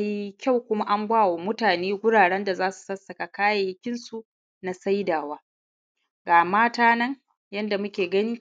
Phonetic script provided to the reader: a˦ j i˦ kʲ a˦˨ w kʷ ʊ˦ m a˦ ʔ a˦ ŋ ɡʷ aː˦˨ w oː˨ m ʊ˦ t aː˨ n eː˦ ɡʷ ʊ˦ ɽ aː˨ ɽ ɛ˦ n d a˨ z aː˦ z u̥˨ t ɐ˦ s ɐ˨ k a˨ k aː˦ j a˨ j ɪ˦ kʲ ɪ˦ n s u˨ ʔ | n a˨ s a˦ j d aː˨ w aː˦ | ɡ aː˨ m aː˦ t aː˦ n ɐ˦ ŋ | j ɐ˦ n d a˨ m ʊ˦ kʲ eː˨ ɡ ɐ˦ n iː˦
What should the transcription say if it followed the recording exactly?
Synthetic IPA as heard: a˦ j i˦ kʲ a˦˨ w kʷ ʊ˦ m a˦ ʔ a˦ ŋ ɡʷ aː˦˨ w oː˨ m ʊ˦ t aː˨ n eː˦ ɡʷ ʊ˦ ɽ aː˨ ɽ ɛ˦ n d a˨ z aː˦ s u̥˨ s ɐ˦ s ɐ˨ k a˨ k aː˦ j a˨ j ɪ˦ kʲ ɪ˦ n s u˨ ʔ | n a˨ s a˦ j d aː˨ w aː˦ | ɡ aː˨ m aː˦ t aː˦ n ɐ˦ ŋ | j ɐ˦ n d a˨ m ʊ˦ kʲ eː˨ ɡ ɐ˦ n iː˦